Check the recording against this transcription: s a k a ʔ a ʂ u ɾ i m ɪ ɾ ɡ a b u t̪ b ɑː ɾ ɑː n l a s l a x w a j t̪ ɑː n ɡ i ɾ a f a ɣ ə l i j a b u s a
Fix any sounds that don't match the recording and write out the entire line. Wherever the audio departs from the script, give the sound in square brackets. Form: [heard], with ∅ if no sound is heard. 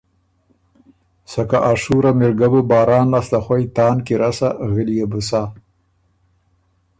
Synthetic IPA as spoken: s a k a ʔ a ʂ u ɾ [a] m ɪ ɾ ɡ a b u [∅] b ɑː ɾ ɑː n l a s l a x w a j t̪ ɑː n [k] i ɾ a [s] a ɣ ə l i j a b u s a